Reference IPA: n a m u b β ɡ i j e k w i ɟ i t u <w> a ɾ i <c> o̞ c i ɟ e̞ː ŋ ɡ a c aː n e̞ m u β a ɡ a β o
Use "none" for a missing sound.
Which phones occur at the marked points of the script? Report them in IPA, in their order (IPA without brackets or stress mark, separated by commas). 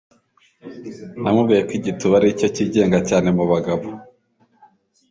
β, c